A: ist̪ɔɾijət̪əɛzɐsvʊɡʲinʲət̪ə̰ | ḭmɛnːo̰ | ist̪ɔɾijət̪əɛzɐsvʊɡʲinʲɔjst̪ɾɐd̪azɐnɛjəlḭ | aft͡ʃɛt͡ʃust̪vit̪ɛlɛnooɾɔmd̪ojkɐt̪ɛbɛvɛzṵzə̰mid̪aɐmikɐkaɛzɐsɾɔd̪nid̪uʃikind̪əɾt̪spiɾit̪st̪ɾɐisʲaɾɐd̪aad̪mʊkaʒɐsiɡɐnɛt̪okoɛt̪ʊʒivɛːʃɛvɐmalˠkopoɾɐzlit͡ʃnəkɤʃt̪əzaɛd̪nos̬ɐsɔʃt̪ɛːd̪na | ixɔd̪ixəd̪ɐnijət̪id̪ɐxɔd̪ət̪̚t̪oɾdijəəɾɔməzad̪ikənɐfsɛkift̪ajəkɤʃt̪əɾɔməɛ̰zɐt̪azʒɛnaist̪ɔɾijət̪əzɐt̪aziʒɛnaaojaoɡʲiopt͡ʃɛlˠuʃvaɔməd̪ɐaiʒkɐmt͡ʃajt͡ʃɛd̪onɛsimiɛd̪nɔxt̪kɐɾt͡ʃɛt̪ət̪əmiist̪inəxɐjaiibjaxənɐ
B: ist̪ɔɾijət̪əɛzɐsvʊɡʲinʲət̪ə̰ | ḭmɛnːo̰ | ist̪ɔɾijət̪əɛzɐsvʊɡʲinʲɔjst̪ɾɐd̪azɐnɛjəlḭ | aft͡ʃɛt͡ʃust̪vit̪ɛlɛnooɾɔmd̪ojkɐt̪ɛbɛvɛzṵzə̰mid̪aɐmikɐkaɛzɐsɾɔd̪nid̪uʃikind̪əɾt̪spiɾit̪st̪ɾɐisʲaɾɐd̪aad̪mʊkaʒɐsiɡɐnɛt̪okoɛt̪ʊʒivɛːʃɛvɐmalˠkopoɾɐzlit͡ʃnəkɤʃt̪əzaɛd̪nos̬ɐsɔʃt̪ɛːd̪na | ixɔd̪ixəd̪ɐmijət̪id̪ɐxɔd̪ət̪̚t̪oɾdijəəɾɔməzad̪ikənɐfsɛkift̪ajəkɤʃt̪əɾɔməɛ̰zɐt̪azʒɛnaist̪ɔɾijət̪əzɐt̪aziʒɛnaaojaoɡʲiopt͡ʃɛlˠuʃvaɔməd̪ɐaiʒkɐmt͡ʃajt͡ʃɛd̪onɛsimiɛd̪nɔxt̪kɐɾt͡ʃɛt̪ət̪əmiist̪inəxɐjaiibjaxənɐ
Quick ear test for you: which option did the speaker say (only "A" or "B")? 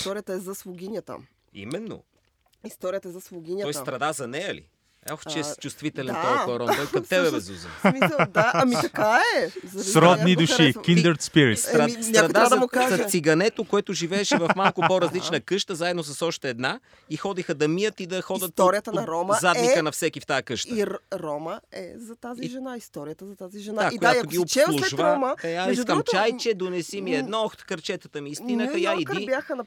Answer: B